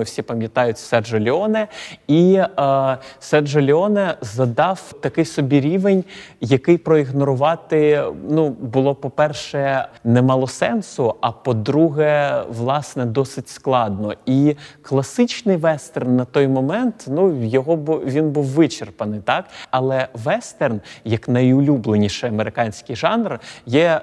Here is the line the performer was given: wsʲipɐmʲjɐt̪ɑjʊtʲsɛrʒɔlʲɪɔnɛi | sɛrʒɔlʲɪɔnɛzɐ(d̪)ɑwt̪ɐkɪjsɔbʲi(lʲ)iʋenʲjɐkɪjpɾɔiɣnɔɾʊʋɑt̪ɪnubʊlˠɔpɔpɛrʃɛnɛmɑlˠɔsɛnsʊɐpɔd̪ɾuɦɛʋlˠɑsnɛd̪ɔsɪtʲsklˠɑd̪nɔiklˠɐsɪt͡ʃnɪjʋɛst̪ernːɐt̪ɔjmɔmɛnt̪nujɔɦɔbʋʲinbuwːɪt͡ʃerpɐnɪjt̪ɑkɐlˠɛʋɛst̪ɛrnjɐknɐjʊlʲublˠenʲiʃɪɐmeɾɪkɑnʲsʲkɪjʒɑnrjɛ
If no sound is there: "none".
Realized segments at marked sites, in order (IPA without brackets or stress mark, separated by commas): d̪, ɾʲ